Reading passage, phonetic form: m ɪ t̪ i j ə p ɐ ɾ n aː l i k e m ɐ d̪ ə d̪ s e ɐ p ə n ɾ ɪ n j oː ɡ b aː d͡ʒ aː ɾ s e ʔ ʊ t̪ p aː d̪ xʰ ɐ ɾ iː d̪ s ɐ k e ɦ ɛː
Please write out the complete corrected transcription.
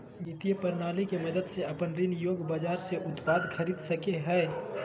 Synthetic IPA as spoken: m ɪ t̪ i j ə p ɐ ɾ n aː l i k e m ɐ d̪ ə d̪ s e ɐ p ə n ɾ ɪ n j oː ɡ b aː d͡ʒ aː ɾ s e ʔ ʊ t̪ p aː d̪ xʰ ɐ ɾ iː d̪ s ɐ k e ɦ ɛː